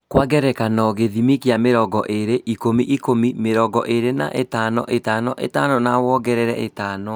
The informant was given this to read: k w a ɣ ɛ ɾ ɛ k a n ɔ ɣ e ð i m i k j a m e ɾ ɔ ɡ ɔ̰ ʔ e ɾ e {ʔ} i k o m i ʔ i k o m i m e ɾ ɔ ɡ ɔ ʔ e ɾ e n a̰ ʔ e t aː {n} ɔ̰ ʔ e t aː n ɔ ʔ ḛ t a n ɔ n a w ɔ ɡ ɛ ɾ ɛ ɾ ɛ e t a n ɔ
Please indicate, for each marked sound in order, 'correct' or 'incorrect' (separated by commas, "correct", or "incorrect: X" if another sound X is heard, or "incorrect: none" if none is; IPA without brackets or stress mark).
correct, correct